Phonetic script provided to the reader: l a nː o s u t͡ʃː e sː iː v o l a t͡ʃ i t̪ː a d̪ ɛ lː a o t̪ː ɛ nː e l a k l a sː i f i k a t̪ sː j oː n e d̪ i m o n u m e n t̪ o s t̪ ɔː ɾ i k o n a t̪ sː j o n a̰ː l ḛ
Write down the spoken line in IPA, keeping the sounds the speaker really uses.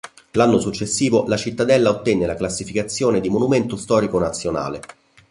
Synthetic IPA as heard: l a nː o s u t͡ʃː e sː iː v o l a t͡ʃ i t̪ː a d̪ ɛ lː a o t̪ː ɛ nː e l a k l a sː i f i k a t̪ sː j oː n e d̪ i m o n u m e n t̪ o s t̪ ɔː ɾ i k o n a t̪ sː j o n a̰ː l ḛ